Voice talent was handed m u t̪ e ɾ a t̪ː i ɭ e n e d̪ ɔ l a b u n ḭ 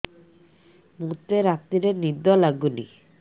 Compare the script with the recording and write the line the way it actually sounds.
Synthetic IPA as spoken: m u t̪ e ɾ a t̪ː i ɾ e n i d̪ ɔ l a ɡ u n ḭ